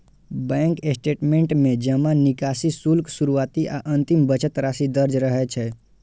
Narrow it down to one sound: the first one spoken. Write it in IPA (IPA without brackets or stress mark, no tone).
b